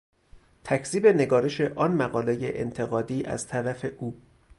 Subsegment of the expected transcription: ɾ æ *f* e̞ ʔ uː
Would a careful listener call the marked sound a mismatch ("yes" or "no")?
no